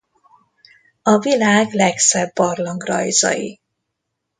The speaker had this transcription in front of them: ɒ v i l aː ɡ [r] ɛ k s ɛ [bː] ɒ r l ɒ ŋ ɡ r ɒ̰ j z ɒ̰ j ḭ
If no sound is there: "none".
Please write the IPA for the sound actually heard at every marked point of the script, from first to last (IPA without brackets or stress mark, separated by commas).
l, bː